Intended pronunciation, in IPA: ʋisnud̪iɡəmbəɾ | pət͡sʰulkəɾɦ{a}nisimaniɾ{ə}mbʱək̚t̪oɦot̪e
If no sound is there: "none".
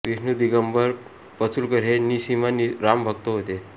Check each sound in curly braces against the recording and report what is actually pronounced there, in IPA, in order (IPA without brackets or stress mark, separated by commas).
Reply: e, a